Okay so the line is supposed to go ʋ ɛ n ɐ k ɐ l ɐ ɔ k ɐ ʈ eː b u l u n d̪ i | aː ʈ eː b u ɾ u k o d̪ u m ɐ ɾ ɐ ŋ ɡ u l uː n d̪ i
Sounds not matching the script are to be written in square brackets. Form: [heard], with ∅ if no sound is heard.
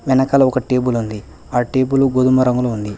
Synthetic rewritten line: ʋ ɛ n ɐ k ɐ l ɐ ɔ k ɐ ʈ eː b u l u n d̪ i | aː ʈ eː b u [l] u [ɡ] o d̪ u m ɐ ɾ ɐ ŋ ɡ u l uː n d̪ i